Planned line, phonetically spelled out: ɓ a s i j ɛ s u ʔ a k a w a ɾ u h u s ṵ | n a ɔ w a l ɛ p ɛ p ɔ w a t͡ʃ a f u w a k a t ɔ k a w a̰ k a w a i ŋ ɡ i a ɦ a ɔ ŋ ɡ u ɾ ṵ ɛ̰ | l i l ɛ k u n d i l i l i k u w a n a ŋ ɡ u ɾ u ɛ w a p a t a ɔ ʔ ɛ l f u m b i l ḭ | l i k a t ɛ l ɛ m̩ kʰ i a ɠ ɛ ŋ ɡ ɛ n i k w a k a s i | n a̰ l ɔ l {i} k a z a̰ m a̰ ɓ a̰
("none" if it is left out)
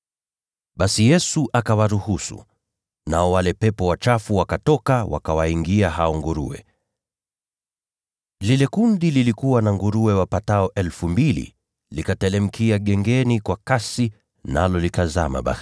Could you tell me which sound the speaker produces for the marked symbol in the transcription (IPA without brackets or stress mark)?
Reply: i